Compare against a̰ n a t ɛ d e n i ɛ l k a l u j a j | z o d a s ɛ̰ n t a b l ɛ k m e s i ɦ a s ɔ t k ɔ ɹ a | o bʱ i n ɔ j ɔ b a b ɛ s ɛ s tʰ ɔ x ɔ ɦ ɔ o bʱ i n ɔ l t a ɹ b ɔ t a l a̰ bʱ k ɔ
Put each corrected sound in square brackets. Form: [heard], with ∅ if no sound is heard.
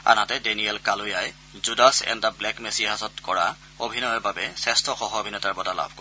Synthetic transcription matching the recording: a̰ n a t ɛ d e n i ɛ l k a l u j a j | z [u] d a s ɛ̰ n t a b l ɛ k m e s i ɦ a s ɔ t k ɔ ɹ a | o bʱ i n ɔ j ɔ b a b ɛ s ɛ s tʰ ɔ x ɔ ɦ ɔ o bʱ i n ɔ [∅] t a ɹ b ɔ t a l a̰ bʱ k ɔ